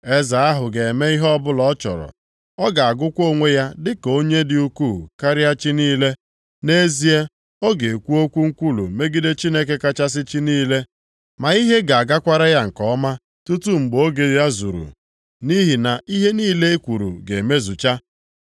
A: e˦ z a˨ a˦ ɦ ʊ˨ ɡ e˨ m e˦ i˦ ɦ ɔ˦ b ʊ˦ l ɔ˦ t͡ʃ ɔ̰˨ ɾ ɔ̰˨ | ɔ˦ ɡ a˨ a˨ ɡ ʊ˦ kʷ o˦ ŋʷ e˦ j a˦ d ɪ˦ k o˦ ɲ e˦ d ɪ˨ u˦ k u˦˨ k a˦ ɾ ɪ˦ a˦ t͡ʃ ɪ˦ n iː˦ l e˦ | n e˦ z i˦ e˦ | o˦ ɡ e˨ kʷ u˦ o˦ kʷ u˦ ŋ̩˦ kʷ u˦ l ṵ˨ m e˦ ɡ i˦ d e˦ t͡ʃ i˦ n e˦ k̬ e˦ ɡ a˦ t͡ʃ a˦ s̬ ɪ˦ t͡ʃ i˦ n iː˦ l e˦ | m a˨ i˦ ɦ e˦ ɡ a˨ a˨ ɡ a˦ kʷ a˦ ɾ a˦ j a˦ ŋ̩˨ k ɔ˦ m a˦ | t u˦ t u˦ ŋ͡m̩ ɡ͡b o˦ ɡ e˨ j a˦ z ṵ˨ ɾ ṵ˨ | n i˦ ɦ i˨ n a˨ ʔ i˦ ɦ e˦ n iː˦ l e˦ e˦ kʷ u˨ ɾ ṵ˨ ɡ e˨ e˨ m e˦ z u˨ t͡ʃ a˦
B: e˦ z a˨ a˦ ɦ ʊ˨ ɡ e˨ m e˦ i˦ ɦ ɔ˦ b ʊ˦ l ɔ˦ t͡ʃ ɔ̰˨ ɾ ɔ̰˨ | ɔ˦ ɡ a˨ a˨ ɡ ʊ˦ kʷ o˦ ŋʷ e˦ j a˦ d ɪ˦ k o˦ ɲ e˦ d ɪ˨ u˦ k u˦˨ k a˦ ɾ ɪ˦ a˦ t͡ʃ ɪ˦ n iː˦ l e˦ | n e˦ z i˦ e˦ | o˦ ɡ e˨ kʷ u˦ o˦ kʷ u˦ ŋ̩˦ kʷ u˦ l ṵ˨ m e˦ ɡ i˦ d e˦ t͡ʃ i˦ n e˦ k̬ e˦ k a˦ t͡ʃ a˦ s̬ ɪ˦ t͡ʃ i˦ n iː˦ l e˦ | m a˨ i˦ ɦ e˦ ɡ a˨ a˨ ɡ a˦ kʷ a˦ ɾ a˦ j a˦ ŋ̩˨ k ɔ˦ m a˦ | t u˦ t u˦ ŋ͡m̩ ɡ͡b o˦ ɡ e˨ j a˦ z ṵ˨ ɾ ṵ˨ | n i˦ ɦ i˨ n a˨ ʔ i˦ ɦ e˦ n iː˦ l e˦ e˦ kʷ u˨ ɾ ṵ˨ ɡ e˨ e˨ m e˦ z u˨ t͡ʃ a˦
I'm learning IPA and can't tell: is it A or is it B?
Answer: B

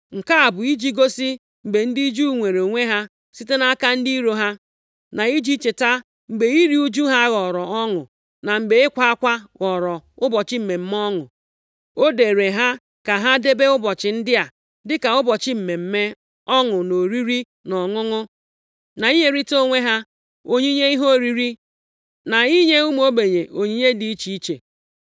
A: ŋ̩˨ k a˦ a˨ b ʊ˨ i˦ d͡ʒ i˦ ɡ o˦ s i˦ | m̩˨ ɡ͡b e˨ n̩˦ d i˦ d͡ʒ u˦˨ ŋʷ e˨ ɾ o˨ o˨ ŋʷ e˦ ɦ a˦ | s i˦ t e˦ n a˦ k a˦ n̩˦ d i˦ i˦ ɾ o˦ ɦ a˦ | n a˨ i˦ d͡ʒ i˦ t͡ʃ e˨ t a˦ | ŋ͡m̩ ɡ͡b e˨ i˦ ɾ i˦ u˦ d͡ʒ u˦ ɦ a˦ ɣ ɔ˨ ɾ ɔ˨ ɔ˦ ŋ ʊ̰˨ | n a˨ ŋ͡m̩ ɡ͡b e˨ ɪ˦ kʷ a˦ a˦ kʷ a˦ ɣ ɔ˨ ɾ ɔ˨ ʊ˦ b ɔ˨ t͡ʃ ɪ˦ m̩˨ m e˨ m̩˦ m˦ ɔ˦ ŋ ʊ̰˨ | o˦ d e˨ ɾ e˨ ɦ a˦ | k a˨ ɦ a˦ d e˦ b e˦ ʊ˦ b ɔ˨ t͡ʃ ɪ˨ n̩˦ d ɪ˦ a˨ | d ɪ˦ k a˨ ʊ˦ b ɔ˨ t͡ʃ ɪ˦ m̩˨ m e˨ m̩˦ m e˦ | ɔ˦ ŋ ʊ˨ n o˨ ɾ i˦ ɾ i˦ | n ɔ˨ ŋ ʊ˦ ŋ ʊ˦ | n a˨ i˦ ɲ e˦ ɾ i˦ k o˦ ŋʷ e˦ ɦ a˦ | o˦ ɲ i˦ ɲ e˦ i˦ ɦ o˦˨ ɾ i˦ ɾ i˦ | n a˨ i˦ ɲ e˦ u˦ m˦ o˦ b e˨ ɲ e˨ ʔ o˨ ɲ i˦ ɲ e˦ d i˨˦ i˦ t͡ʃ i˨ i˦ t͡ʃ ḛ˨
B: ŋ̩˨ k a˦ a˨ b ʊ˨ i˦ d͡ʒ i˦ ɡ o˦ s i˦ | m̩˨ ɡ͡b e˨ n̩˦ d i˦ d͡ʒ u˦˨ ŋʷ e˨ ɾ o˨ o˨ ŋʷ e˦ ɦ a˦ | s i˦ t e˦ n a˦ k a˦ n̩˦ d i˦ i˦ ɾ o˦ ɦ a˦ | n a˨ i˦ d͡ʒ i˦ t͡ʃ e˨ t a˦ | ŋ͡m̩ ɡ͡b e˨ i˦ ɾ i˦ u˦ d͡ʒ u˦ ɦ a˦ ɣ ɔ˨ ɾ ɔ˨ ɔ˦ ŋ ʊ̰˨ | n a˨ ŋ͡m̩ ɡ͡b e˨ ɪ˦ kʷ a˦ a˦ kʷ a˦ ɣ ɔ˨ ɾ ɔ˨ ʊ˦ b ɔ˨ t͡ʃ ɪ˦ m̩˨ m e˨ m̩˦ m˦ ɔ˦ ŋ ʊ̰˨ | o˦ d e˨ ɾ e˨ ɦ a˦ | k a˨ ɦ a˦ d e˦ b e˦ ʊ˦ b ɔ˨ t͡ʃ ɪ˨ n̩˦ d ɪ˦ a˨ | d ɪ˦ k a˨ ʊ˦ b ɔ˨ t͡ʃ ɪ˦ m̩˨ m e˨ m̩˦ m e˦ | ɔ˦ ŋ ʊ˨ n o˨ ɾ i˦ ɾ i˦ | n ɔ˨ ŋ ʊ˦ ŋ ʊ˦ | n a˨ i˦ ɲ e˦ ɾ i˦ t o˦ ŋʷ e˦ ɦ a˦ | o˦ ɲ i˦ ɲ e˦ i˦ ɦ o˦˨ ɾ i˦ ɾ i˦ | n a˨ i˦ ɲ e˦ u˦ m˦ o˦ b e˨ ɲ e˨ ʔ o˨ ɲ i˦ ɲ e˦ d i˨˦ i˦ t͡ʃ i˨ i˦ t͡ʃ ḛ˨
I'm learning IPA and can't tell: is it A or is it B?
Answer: B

